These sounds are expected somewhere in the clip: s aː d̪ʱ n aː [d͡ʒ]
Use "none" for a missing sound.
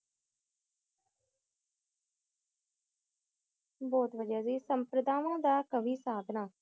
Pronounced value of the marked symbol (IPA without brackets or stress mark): none